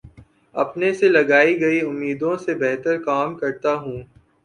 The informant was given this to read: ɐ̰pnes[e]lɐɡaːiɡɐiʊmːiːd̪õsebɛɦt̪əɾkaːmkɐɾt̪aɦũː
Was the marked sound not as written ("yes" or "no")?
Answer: no